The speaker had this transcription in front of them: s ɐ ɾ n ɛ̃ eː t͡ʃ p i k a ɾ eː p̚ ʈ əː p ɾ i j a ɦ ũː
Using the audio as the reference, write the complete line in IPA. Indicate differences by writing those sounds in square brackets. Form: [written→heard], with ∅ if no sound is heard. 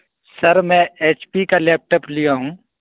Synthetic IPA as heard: s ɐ ɾ [n→m] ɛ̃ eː t͡ʃ p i k a [ɾ→l] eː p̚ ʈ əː p [ɾ→l] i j a ɦ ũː